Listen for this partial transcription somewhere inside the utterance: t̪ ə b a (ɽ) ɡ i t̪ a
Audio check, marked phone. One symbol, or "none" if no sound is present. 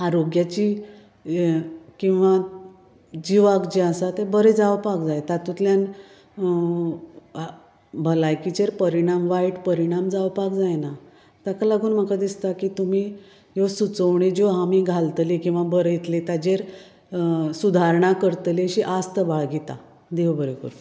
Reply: ɭ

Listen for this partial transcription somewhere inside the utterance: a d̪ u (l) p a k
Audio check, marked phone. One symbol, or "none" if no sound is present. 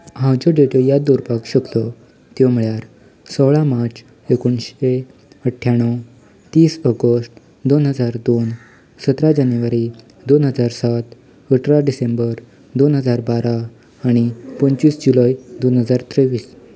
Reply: ɾ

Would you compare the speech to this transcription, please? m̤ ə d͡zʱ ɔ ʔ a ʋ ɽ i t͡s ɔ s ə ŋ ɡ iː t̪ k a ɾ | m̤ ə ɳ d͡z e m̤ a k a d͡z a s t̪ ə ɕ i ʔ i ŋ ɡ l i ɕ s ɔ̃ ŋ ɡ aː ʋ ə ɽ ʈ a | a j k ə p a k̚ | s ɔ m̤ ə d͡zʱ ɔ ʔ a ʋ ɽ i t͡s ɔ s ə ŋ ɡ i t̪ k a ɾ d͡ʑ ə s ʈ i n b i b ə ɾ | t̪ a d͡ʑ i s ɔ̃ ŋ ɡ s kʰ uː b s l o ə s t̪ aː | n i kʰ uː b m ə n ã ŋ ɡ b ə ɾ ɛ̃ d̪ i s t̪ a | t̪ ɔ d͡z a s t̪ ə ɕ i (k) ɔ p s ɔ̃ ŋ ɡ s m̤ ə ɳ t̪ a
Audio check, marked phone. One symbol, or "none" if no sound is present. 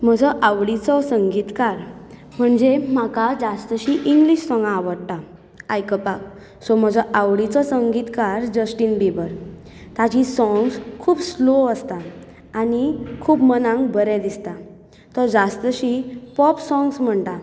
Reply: p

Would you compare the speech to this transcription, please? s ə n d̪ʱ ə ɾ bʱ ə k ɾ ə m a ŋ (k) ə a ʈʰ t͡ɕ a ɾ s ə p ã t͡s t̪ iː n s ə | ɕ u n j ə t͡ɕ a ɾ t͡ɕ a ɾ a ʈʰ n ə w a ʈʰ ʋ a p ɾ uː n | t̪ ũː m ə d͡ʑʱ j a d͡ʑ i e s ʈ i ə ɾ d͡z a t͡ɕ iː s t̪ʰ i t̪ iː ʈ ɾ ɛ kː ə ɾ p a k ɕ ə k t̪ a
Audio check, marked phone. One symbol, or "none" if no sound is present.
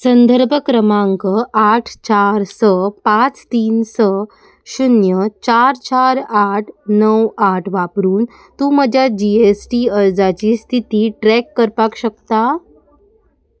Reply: k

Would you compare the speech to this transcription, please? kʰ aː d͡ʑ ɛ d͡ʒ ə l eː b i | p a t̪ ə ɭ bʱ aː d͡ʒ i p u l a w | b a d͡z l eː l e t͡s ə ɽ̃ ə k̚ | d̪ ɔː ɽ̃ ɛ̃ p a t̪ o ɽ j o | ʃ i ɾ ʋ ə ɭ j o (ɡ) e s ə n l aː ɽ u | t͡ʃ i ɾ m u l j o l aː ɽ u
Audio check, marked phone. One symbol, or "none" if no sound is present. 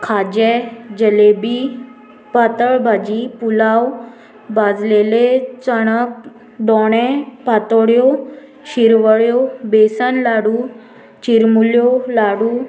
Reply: b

